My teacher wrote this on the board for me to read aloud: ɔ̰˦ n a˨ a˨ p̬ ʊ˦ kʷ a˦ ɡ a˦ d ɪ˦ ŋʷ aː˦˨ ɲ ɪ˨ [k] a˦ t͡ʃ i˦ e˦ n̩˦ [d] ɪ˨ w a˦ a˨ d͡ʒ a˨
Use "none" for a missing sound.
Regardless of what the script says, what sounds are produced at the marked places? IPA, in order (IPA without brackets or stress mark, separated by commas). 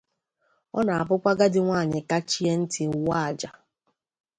k, t